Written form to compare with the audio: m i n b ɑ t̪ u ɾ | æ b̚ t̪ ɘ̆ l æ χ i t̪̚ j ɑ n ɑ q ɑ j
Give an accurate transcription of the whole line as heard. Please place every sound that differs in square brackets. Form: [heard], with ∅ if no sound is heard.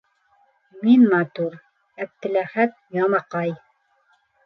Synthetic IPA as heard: m i n [m] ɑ t̪ u ɾ | æ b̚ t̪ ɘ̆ l æ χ [æ] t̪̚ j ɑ [m] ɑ q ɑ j